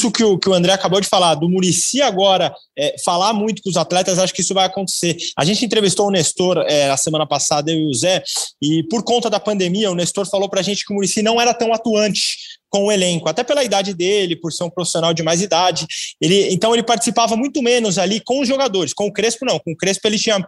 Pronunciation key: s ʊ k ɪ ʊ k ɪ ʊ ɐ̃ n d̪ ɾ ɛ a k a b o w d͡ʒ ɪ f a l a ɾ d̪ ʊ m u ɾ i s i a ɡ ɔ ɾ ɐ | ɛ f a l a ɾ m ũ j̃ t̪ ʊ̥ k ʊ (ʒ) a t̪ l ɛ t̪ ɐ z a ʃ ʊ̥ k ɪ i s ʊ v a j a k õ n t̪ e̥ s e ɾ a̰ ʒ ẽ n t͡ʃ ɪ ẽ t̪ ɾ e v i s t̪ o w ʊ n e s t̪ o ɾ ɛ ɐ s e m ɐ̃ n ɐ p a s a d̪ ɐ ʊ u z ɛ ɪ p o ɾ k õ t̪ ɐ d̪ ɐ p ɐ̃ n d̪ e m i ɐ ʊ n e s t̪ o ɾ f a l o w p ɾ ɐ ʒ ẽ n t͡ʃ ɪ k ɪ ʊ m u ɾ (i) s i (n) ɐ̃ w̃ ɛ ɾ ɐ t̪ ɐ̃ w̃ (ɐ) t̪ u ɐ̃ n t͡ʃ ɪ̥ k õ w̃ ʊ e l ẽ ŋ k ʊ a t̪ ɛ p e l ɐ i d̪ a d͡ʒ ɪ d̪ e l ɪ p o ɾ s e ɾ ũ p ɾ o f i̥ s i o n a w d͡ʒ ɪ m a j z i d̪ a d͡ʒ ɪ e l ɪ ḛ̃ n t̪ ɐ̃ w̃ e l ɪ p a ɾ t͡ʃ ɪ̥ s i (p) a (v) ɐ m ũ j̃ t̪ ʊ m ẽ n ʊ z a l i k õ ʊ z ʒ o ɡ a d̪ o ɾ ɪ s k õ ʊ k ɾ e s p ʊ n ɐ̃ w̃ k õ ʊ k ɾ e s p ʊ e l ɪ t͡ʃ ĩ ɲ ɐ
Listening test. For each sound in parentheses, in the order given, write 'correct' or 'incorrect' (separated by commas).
incorrect, correct, correct, incorrect, correct, correct